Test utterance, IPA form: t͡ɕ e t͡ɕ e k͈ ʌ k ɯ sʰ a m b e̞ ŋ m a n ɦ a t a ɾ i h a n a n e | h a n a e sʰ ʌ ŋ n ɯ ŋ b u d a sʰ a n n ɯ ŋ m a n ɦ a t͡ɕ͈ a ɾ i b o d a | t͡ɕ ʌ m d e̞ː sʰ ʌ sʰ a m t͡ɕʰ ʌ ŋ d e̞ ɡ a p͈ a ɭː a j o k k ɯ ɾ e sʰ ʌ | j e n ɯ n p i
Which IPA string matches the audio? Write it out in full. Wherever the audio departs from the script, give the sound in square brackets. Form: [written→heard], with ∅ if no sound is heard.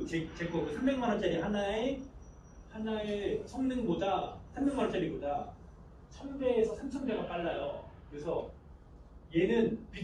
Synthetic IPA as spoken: t͡ɕ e t͡ɕ e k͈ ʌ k ɯ sʰ a m b e̞ ŋ m a n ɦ a [t→t͡ɕ͈] a ɾ i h a n a [n→∅] e | h a n a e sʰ ʌ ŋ n ɯ ŋ b [u→o] d a sʰ a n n ɯ ŋ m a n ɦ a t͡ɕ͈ a ɾ i b o d a | [t͡ɕ→t͡ɕʰ] ʌ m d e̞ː sʰ ʌ sʰ a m t͡ɕʰ ʌ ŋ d e̞ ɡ a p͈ a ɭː a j o k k ɯ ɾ e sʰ ʌ | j e n ɯ n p i